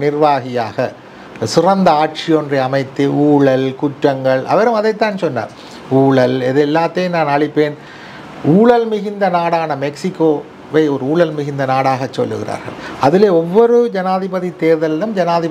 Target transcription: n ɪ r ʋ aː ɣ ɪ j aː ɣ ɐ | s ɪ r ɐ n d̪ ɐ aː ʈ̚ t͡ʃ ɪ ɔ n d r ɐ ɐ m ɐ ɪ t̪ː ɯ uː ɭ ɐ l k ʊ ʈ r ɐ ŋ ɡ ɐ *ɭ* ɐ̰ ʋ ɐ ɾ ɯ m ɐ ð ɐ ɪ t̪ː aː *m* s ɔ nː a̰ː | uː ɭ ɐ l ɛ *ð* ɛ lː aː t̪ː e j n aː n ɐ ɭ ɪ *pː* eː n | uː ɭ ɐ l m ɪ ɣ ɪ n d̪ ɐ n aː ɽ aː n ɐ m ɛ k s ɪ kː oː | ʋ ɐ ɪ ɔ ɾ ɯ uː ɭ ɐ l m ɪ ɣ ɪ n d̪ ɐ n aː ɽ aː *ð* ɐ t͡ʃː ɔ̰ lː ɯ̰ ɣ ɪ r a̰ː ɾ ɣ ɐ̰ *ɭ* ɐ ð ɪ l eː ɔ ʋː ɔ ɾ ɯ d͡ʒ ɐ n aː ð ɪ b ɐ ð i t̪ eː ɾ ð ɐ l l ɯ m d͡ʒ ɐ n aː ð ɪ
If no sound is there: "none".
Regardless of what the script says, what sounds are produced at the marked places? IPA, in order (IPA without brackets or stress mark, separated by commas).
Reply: ɭ, n, ð, pː, ɣ, ɭ